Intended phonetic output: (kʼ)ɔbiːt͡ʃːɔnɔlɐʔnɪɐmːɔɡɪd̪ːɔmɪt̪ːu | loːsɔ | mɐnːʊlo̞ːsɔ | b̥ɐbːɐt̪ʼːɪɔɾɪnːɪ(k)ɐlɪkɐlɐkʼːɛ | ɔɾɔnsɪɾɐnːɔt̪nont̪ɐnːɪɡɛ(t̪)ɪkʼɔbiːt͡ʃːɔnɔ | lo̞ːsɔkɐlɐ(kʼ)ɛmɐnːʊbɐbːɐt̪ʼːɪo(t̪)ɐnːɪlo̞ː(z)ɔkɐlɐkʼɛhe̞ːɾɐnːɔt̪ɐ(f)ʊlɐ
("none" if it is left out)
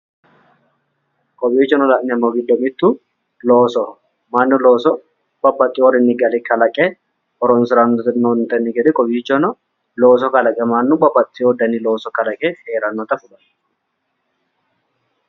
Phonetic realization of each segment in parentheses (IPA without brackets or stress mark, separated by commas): kʼ, ɡ, d̪, kʼ, d̪, s, f